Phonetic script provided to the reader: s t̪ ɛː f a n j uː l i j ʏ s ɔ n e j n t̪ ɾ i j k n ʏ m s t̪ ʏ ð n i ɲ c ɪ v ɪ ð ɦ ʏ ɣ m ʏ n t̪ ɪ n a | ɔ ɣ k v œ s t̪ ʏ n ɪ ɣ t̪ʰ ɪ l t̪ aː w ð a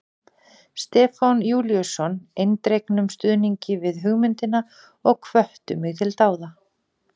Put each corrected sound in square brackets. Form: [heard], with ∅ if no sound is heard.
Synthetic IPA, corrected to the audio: s t̪ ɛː f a n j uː l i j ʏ s ɔ n e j n t̪ ɾ [e] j k n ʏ m s t̪ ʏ ð n i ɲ c ɪ v ɪ ð ɦ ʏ ɣ m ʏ n t̪ ɪ n a | ɔ ɣ [kʰ] v œ [h] t̪ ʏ [m] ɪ ɣ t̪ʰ ɪ l t̪ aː w ð a